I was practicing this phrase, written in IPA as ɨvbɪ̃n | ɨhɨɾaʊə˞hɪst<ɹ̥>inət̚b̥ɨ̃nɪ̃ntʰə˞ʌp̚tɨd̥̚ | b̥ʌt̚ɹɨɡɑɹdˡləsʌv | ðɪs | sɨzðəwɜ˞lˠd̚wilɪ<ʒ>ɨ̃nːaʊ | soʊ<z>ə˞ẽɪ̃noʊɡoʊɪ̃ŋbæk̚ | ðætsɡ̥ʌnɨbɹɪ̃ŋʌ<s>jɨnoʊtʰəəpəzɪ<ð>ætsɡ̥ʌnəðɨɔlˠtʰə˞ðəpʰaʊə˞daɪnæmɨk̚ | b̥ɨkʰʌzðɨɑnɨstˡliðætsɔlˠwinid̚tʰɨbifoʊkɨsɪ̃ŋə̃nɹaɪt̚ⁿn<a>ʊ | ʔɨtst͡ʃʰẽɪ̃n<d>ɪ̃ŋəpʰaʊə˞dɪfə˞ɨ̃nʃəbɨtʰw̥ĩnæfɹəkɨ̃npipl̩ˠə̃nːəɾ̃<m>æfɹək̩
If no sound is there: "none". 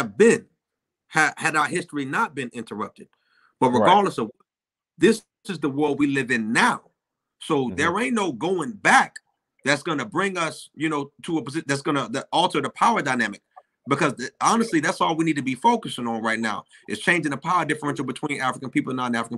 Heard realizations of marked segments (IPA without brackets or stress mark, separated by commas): ɹ̥, v, ð, s, ð, a, d͡ʒ, n